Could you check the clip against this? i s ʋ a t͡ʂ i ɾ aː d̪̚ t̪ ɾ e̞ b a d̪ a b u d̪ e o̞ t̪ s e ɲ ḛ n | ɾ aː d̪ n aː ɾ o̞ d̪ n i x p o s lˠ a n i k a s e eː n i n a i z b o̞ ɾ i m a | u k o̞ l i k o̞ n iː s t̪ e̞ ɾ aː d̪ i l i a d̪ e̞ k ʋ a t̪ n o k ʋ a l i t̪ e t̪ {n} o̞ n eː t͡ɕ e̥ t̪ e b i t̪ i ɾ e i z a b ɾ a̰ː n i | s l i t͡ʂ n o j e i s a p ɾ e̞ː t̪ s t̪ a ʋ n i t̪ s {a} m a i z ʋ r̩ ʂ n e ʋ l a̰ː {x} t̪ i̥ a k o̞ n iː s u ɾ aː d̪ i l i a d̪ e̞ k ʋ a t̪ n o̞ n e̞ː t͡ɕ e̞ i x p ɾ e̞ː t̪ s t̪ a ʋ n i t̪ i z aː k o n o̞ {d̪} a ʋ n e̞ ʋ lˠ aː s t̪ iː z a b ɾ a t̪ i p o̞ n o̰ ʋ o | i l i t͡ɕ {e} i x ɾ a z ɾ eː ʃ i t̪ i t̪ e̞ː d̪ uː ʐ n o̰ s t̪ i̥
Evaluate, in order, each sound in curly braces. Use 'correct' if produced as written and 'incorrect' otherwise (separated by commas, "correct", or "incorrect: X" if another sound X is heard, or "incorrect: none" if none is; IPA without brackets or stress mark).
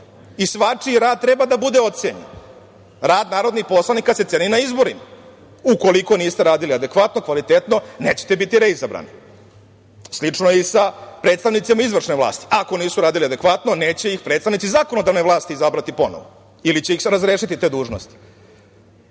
correct, incorrect: i, incorrect: s, correct, correct